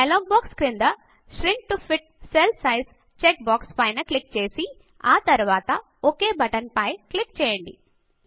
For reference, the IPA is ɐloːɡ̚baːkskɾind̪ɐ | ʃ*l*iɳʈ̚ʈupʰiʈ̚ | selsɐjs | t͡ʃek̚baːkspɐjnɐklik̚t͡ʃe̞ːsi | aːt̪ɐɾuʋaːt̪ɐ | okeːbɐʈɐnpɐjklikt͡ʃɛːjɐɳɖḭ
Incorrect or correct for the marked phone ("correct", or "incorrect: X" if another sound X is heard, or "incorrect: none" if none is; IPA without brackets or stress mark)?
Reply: incorrect: ɾ